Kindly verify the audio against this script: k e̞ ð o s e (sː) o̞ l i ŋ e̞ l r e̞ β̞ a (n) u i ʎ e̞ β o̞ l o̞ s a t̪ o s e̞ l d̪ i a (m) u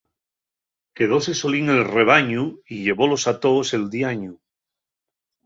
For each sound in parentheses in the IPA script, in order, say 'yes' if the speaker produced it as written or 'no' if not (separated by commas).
no, no, no